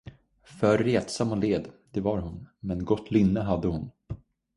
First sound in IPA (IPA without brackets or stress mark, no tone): f